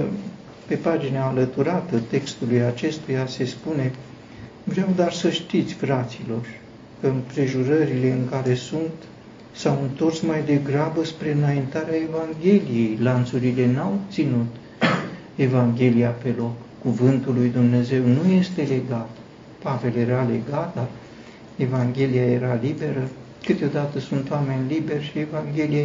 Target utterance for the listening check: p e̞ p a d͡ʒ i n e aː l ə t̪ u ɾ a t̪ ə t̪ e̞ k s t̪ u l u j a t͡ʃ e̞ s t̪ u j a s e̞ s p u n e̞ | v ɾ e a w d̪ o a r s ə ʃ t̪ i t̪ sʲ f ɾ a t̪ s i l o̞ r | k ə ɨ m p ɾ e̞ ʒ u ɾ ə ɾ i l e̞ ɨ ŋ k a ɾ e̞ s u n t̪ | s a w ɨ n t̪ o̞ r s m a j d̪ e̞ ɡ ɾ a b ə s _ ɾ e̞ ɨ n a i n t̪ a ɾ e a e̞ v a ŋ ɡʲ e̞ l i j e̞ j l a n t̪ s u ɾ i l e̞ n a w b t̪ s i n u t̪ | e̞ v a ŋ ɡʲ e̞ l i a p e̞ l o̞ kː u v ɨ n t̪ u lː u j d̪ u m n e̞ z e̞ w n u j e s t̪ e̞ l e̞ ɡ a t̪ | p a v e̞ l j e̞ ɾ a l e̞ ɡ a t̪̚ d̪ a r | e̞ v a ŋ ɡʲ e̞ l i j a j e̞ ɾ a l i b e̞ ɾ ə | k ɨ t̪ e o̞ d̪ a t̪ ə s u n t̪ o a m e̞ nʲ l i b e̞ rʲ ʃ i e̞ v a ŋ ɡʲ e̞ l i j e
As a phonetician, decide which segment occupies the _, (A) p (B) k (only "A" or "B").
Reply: A